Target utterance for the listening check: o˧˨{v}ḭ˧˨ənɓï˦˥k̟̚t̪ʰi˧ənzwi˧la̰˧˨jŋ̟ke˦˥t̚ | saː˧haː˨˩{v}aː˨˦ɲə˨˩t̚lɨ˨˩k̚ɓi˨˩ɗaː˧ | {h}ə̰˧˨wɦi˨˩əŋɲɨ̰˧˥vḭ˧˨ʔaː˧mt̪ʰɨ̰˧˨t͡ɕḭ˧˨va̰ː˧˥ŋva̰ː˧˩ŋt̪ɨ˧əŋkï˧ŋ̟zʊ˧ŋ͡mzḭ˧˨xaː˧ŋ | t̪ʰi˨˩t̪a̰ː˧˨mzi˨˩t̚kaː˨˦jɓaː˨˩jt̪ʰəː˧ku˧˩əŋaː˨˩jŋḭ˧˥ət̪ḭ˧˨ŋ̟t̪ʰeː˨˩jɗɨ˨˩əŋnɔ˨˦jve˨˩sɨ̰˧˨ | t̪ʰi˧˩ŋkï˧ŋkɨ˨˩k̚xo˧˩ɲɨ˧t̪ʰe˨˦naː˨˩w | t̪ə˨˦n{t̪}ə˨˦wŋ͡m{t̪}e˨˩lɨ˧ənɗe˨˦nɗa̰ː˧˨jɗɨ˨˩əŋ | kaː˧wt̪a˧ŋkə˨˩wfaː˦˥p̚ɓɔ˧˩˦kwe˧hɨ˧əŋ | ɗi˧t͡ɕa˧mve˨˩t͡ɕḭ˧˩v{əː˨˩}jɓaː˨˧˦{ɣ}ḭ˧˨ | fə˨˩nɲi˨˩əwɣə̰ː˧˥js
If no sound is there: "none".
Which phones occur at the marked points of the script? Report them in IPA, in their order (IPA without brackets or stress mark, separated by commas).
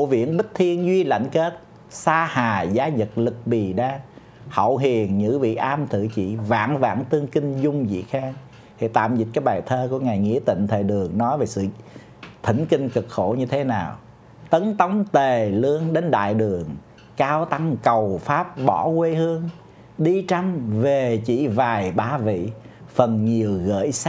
v, z, h, t̪, t̪, aː˨˩, v